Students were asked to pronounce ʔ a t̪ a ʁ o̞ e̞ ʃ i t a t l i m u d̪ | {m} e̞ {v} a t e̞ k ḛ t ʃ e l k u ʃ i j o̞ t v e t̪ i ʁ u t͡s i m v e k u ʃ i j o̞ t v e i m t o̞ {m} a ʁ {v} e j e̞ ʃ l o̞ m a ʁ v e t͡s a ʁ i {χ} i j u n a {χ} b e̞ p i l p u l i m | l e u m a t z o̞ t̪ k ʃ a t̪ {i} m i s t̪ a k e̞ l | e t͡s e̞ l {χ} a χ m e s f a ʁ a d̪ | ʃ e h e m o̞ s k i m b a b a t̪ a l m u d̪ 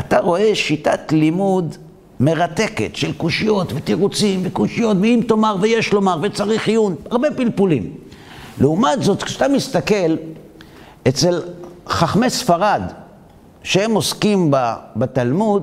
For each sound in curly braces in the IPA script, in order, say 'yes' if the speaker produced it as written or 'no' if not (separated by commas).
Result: yes, no, yes, yes, yes, no, no, yes